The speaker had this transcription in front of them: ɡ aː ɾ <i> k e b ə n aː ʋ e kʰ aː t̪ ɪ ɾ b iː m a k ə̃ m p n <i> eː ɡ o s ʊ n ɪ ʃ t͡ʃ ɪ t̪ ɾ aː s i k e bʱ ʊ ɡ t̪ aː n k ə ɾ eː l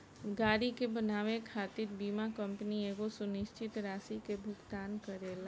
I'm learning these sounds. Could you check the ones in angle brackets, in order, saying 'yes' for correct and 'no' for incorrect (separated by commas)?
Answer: yes, yes